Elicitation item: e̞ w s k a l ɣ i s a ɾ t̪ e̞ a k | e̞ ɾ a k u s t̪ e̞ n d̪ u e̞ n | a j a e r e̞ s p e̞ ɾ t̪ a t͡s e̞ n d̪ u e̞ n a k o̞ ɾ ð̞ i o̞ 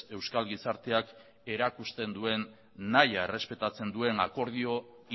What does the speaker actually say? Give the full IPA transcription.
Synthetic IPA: e̞ w s k a l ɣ i s a ɾ t̪ e̞ a k | e̞ ɾ a k u s t̪ e̞ n d̪ u e̞ nː | a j a e r e̞ s p e̞ t̪ a t͡s e̞ n d̪ u e̞ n a k o̞ ɾ ð̞ i o̞